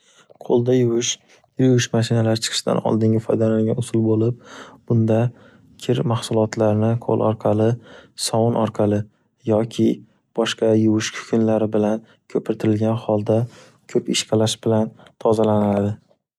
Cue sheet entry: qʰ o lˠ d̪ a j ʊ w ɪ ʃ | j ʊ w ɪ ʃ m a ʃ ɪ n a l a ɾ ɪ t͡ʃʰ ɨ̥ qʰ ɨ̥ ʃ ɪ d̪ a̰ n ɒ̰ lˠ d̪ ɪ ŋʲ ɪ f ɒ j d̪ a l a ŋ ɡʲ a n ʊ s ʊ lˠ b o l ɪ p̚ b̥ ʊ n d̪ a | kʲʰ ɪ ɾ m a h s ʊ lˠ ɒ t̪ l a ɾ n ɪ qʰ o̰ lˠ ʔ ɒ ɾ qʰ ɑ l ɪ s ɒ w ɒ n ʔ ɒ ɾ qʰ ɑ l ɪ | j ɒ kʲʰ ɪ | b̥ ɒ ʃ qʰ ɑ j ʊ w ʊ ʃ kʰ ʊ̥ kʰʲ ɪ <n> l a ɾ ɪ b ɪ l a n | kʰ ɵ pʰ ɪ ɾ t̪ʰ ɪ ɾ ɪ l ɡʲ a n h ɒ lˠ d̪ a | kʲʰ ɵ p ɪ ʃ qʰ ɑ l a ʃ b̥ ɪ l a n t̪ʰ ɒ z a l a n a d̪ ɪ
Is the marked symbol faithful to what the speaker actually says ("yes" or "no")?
yes